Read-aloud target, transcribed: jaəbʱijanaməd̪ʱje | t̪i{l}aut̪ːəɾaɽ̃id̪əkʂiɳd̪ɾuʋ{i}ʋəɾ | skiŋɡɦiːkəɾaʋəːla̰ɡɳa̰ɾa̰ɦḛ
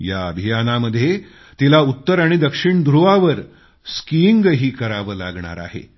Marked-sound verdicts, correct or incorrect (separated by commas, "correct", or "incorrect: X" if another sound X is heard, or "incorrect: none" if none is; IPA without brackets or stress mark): correct, incorrect: a